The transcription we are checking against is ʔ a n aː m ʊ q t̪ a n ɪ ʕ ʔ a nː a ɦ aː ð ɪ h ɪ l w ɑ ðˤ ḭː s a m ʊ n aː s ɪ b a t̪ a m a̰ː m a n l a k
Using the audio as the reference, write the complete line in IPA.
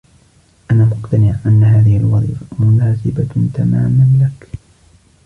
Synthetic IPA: ʔ a n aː m ʊ q t̪ a n ɪ ʕ ʔ a nː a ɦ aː ð ɪ h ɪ l w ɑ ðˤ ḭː f a m ʊ n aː s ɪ b a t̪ a m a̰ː m a n l a k